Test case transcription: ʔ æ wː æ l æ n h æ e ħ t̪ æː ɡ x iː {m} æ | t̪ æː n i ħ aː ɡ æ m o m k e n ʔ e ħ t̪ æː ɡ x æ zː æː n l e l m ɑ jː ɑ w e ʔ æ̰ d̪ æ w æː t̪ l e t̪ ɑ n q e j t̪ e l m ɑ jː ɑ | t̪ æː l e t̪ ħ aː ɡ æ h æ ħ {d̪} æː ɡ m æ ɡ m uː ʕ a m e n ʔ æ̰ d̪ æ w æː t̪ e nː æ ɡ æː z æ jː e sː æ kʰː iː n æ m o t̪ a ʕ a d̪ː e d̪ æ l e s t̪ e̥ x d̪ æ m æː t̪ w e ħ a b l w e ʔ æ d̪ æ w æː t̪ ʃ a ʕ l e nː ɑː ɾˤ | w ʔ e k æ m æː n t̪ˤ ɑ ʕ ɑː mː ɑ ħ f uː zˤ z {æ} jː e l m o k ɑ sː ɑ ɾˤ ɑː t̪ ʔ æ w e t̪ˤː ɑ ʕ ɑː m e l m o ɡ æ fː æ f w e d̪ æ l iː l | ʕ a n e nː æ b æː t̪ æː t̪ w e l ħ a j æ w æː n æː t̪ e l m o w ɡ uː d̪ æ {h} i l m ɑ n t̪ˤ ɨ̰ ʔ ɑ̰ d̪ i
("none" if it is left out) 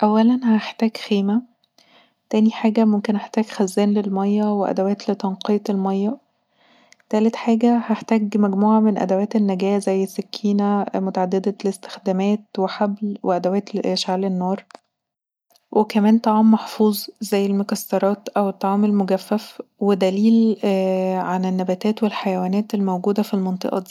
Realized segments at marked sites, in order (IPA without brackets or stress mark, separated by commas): m, t̪, æ, f